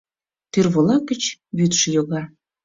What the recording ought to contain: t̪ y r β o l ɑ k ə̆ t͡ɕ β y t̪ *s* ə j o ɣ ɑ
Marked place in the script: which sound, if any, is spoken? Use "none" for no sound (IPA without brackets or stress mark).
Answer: ʃ